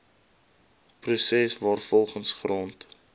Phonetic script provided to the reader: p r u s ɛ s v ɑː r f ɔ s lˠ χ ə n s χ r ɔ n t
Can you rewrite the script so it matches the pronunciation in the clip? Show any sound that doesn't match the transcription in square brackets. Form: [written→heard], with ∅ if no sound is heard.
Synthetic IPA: p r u s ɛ s v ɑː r f ɔ [s→∅] lˠ χ ə n s χ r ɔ n t